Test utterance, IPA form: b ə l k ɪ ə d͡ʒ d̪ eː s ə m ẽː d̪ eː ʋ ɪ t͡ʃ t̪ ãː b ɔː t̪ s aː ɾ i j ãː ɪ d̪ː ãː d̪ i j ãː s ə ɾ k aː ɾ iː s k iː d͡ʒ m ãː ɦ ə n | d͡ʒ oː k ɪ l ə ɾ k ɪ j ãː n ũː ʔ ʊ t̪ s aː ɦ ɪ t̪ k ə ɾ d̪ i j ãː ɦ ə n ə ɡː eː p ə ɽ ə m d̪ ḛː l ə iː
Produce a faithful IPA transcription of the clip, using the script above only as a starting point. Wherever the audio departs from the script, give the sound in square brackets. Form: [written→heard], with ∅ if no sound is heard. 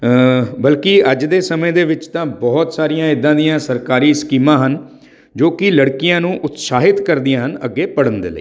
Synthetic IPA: b ə l k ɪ ə d͡ʒ d̪ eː s ə m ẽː d̪ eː ʋ ɪ t͡ʃ t̪ ãː b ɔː t̪ s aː ɾ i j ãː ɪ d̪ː ãː d̪ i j ãː s ə ɾ k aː ɾ iː s k iː [d͡ʒ→∅] m ãː ɦ ə n | d͡ʒ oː k ɪ l ə [ɾ→ɽ] k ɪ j ãː n ũː ʔ ʊ t̪ s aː ɦ ɪ t̪ k ə ɾ d̪ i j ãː ɦ ə n ə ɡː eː p ə ɽ ə [m→n] d̪ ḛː l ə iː